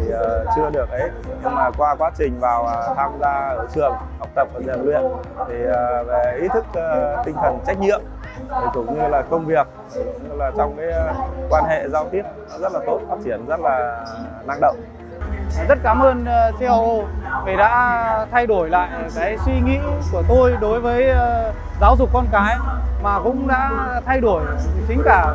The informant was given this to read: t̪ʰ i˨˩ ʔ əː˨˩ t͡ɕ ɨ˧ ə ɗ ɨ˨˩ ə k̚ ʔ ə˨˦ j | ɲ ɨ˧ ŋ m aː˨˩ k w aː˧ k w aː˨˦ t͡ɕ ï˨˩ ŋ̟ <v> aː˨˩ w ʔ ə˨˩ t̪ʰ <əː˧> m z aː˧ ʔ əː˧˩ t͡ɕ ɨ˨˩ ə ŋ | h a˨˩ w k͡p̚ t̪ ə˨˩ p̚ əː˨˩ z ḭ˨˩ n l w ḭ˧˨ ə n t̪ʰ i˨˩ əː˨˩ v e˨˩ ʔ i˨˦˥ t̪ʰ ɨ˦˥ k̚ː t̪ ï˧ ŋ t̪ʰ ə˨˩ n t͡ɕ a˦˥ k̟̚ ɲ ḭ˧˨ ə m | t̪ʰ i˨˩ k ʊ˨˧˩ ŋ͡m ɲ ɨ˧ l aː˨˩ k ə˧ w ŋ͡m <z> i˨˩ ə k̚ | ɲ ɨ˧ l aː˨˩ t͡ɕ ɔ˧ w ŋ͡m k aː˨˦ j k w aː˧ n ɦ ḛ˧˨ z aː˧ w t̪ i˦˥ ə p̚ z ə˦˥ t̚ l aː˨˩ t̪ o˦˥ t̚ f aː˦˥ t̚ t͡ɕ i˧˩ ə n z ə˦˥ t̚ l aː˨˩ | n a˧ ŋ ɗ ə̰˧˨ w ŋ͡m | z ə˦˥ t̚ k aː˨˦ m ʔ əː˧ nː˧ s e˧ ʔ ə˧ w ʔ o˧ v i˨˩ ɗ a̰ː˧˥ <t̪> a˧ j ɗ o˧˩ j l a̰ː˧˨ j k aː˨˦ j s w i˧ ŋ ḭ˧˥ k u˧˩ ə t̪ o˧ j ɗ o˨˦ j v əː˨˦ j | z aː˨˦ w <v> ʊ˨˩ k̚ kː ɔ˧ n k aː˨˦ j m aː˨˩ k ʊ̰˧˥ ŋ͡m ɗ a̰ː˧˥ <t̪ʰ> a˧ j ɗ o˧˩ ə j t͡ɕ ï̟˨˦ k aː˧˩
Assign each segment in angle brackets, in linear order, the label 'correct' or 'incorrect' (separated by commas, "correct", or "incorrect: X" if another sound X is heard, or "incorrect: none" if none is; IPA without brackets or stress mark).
correct, incorrect: aː˧, incorrect: v, incorrect: t̪ʰ, incorrect: z, correct